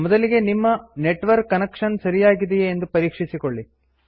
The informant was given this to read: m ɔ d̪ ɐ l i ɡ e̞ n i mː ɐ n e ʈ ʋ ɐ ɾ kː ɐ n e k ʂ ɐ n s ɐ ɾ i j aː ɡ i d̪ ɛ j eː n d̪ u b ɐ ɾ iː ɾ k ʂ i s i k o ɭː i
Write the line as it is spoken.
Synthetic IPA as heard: m ɔ d̪ ɐ l i ɡ e̞ n i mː ɐ n e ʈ ʋ ɐ ɾ kː ɐ n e k ʂ ɐ n s ɐ ɾ i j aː ɡ i d̪ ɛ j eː n d̪ u p ɐ ɾ iː k ʂ i s i k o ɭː i